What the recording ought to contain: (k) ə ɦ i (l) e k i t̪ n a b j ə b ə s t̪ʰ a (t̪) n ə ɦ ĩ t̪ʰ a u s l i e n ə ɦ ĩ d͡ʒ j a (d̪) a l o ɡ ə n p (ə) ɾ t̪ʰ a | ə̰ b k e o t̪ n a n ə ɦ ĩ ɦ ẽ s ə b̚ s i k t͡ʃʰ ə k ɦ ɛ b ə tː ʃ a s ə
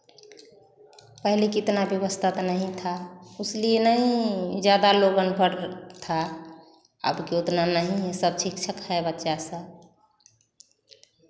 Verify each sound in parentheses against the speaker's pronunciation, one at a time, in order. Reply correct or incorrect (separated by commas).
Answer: incorrect, correct, correct, correct, correct